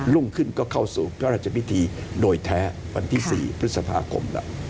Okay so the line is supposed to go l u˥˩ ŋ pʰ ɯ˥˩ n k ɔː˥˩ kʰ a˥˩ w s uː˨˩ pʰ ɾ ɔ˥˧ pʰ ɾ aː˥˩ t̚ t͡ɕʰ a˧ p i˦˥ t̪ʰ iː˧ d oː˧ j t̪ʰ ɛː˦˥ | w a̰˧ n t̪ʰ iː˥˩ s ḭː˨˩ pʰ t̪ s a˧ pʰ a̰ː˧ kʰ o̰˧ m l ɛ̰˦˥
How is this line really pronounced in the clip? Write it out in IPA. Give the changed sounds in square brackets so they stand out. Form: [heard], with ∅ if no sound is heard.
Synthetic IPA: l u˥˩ ŋ [kʰ] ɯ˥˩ n k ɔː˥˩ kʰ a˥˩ w s uː˨˩ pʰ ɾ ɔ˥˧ [∅] ɾ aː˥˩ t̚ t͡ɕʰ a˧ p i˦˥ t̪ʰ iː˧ d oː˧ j t̪ʰ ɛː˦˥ | w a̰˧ n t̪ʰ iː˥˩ s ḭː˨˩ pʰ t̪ s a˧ pʰ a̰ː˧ kʰ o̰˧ m l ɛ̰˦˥